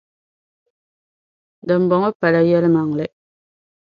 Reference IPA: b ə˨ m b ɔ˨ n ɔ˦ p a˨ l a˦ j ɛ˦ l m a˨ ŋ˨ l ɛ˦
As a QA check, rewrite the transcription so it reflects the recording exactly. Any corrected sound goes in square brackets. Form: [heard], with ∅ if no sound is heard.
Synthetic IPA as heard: [d] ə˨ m b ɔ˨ [ŋ] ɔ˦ p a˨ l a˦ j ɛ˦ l m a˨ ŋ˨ l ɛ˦